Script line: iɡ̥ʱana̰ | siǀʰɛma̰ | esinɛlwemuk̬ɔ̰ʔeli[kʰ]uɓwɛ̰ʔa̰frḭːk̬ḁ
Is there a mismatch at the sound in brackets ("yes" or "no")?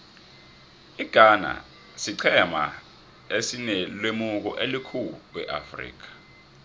no